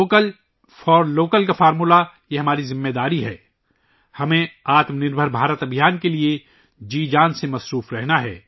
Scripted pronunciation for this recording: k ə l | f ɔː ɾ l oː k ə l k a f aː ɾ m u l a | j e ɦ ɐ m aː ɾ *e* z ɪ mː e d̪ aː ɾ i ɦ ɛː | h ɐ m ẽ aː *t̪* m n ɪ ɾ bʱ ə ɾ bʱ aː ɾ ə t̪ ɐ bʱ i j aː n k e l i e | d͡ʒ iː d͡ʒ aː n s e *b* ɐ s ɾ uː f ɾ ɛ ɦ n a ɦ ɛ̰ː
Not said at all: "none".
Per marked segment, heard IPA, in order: i, t̪, m

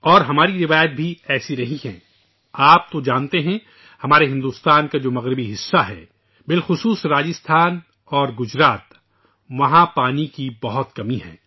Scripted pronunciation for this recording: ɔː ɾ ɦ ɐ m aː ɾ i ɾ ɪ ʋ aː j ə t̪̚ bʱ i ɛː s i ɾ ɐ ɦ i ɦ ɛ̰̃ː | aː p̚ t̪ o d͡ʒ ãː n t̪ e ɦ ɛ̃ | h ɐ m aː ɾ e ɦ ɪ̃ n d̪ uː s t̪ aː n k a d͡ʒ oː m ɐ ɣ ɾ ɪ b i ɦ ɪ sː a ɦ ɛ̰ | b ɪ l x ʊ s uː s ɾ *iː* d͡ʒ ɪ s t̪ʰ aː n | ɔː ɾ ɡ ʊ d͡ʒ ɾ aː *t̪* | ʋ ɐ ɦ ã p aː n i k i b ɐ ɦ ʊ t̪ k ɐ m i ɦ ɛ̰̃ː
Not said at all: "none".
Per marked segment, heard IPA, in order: aː, t̪

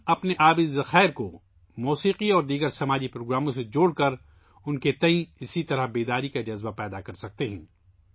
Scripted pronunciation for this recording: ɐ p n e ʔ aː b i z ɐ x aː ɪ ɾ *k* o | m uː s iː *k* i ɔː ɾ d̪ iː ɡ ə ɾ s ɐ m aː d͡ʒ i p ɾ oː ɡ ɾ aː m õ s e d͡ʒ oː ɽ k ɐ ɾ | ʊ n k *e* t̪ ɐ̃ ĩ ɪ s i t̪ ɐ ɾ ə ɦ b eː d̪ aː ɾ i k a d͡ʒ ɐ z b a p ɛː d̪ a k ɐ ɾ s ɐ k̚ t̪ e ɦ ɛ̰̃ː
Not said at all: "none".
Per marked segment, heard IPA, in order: k, q, e

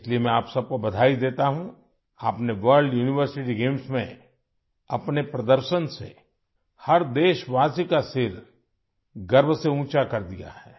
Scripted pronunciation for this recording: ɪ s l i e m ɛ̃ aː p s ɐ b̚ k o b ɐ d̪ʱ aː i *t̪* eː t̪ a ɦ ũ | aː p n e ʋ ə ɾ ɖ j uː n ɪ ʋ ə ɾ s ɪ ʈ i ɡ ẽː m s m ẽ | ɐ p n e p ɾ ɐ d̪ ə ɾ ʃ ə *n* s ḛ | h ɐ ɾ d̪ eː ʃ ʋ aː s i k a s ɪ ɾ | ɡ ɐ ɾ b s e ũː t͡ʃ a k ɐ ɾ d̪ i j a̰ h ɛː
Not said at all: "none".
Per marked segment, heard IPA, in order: d̪, n

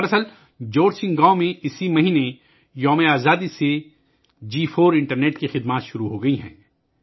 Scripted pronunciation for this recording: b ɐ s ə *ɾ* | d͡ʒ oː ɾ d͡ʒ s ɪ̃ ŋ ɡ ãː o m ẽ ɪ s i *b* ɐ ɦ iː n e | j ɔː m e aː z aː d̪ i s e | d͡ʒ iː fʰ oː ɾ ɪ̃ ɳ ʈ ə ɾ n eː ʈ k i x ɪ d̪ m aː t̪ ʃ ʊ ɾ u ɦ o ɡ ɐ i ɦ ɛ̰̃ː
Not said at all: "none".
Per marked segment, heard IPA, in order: l, m

